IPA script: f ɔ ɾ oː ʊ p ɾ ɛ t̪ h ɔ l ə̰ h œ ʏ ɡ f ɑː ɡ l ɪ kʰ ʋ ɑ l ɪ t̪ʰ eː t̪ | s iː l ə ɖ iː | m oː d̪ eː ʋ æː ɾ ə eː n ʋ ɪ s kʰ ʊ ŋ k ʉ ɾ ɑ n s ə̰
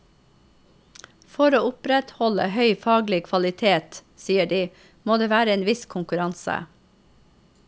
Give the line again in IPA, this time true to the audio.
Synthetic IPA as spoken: f ɔ ɾ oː ʊ p ɾ ɛ t̪ h ɔ l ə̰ h œ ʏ f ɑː ɡ l ɪ kʰ ʋ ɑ l ɪ t̪ʰ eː t̪ | s iː ə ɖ iː | m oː d̪ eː ʋ æː ɾ ə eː n ʋ ɪ s kʰ ʊ ŋ k ʉ ɾ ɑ n s ə̰